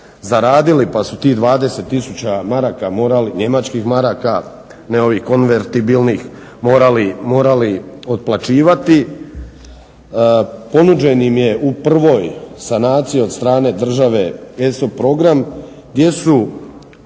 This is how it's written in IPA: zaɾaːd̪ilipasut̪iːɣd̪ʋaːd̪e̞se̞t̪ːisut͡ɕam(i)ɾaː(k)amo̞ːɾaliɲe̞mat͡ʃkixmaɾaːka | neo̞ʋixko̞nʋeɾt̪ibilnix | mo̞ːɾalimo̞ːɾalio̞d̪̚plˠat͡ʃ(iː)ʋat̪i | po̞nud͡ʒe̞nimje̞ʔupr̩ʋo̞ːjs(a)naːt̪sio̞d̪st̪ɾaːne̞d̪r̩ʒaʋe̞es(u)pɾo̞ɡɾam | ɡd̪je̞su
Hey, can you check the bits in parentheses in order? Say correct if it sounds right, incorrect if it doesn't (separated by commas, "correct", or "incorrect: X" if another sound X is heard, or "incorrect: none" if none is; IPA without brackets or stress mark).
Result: incorrect: a, correct, correct, correct, incorrect: o